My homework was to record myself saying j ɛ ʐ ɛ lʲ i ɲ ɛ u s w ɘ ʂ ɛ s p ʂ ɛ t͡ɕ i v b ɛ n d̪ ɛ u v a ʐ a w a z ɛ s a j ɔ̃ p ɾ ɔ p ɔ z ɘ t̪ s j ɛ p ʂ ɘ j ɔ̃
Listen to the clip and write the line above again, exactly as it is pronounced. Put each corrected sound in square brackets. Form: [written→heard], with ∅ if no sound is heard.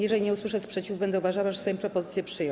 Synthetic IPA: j ɛ ʐ ɛ lʲ i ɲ ɛ u s w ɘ ʂ ɛ s p ʂ ɛ t͡ɕ i v b ɛ n d̪ ɛ u v a ʐ a w a [z→ʐ] ɛ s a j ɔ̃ p ɾ ɔ p ɔ z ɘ t̪ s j ɛ p ʂ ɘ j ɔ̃